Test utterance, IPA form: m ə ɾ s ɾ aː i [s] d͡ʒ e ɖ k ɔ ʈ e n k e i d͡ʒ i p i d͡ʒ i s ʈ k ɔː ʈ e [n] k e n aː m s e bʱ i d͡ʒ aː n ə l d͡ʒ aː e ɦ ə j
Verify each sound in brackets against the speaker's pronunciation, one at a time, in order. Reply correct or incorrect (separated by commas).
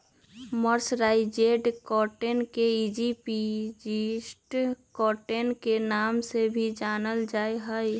incorrect, correct